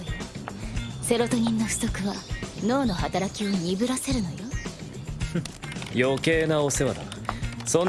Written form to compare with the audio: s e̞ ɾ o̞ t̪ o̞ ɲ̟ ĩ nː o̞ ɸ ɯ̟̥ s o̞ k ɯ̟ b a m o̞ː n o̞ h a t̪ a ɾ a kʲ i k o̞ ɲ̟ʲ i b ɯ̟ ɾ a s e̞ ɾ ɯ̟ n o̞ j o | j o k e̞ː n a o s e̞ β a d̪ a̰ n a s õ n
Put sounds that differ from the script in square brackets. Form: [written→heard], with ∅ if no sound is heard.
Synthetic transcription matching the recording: s e̞ ɾ o̞ t̪ o̞ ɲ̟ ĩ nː o̞ ɸ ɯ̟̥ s o̞ k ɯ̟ [b→β] a [m→n] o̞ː n o̞ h a t̪ a ɾ a kʲ i [k→∅] o̞ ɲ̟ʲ i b ɯ̟ ɾ a s e̞ ɾ ɯ̟ n o̞ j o | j o k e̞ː n a o s e̞ β a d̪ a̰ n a s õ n